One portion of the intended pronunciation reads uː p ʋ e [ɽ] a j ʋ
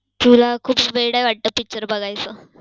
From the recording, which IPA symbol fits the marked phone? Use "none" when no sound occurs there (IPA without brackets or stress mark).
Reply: ɽ